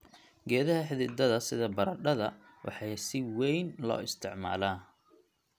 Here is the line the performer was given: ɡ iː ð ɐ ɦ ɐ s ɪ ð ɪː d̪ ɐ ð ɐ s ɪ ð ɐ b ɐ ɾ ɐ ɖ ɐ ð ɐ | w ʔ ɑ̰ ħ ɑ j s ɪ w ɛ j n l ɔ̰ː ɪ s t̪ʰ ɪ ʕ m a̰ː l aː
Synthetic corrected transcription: ɡ ɛː ð ɐ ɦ ɐ ħ ɪ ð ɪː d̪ ɐ ð ɐ s ɪ ð ɐ b ɐ ɾ ɐ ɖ ɐ ð ɐ | w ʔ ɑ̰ ħ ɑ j s ɪ w ɛ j n l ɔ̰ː ɪ s t̪ʰ ɪ ʕ m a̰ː l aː